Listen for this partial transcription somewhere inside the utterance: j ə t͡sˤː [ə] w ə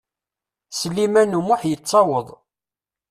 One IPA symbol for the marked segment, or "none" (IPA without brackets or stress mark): ɑ